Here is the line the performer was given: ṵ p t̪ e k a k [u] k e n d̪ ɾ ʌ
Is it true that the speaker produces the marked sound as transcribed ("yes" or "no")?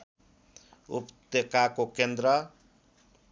no